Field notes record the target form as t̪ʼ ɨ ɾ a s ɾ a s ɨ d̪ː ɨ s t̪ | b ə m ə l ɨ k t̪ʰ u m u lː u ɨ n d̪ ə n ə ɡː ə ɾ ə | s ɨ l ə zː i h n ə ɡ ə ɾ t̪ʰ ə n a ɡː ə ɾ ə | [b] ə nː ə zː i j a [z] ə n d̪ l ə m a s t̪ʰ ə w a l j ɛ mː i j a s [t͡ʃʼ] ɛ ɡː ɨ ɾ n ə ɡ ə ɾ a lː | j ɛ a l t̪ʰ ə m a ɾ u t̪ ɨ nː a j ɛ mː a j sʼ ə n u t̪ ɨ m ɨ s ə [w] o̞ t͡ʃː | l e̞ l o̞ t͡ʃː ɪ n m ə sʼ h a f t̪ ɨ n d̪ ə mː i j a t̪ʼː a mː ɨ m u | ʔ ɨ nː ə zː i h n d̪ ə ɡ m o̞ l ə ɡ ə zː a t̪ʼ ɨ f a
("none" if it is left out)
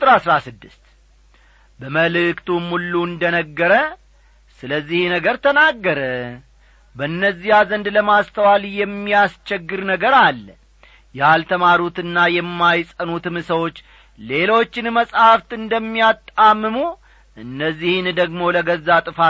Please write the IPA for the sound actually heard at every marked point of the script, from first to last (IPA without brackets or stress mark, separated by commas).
b, z, t͡ʃ, w